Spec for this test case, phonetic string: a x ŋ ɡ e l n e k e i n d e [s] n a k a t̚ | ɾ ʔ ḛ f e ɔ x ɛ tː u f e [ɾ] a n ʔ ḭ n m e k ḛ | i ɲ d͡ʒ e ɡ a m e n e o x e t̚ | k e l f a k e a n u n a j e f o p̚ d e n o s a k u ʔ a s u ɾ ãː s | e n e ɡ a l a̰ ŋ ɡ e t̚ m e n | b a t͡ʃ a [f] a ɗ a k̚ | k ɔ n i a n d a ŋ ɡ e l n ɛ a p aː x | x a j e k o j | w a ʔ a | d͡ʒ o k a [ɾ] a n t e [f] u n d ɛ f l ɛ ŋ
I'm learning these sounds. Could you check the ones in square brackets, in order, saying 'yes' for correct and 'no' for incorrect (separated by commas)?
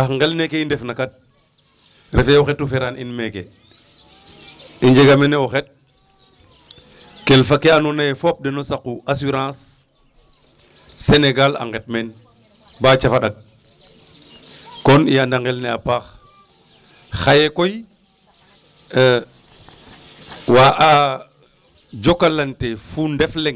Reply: no, yes, yes, no, yes